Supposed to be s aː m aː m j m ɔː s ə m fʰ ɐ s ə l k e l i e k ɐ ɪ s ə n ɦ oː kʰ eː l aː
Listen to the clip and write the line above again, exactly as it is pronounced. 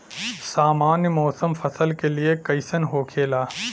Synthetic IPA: s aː m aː n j m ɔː s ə m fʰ ɐ s ə l k e l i e k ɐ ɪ s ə n ɦ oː kʰ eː l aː